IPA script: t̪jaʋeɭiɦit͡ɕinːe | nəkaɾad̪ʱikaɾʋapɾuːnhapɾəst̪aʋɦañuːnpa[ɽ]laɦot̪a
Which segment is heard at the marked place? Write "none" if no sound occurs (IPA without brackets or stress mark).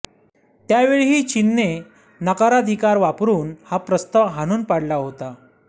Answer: ɽ